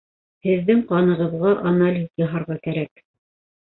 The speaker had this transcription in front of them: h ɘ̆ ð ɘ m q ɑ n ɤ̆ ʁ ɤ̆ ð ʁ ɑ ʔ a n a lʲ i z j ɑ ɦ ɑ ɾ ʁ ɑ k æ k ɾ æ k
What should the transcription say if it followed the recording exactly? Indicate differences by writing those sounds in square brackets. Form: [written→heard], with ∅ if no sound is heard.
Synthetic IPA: h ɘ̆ [ð→ðː] ɘ [m→ŋ] q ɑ n ɤ̆ ʁ ɤ̆ ð ʁ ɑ ʔ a n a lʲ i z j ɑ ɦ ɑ ɾ ʁ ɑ k æ [k→∅] ɾ æ k

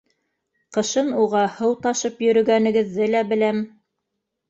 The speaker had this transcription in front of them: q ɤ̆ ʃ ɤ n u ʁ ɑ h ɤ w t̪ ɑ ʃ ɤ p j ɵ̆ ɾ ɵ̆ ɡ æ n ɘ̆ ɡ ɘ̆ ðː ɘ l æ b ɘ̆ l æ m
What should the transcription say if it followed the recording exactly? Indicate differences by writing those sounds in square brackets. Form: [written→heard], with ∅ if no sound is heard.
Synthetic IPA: q ɤ̆ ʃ ɤ n u ʁ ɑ h ɤ w t̪ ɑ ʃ ɤ p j ɵ̆ ɾ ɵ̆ ɡ æ n ɘ̆ ɡ ɘ̆ ðː ɘ l æ b ɘ̆ l æ m

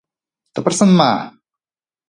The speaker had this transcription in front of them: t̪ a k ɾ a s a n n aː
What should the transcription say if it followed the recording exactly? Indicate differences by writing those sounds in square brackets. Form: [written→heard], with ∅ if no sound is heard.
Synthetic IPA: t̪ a [k→p] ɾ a s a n [n→m] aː

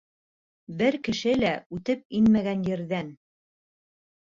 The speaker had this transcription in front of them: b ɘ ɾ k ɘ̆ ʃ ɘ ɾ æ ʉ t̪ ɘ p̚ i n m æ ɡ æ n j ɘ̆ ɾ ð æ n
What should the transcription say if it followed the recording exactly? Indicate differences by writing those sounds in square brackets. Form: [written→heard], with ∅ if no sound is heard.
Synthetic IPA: b ɘ ɾ k ɘ̆ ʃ ɘ [ɾ→l] æ ʉ t̪ ɘ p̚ i n m æ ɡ æ n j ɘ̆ ɾ ð æ n

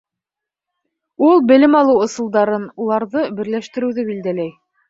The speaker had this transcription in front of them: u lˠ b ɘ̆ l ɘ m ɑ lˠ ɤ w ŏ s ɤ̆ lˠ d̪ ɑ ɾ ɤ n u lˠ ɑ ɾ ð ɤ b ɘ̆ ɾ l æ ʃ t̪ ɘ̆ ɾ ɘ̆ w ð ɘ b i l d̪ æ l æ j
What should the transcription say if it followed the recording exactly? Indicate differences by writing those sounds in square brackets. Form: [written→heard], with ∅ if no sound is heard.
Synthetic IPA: u lˠ b ɘ̆ l ɘ m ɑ lˠ ɤ w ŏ s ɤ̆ lˠ d̪ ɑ ɾ ɤ n u lˠ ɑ ɾ ð ɤ b ɘ̆ ɾ l æ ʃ t̪ ɘ̆ ɾ ɘ̆ w ð ɘ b i l d̪ æ l æ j

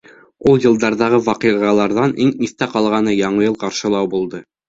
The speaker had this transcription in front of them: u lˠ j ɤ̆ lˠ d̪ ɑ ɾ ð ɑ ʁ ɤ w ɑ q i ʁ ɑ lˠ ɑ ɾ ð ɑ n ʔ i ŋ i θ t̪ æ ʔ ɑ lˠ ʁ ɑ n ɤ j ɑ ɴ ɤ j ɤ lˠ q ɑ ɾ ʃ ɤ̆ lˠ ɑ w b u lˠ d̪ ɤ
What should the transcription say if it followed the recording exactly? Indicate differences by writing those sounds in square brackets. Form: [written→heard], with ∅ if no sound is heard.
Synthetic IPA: u lˠ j ɤ̆ lˠ d̪ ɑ ɾ ð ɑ ʁ ɤ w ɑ q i ʁ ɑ lˠ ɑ ɾ ð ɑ n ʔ i ŋ i θ t̪ æ [ʔ→q] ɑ lˠ ʁ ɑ n ɤ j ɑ ɴ ɤ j ɤ lˠ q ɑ ɾ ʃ ɤ̆ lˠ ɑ w b u lˠ d̪ ɤ

